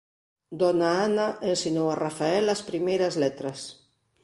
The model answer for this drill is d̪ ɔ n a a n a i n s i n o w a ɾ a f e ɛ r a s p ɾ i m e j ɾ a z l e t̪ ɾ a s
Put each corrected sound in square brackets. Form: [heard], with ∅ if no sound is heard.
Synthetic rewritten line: d̪ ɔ n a a n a [e] n s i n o w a [r] a f [a] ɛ [l] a s p ɾ i m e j ɾ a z l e t̪ ɾ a s